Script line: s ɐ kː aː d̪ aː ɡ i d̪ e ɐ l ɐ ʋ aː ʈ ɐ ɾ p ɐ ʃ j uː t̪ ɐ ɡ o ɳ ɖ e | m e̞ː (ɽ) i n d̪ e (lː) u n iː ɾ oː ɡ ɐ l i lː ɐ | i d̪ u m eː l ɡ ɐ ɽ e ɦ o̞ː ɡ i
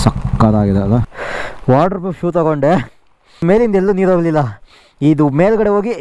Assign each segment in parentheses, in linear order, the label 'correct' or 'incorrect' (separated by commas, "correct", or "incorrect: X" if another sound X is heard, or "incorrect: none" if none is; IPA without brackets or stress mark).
incorrect: l, correct